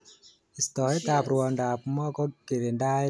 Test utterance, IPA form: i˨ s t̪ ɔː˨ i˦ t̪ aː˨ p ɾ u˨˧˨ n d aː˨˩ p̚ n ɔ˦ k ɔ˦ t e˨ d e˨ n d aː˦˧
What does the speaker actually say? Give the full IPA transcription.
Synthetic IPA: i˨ s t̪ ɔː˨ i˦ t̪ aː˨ p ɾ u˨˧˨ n d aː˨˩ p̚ m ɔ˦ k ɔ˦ k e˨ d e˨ n d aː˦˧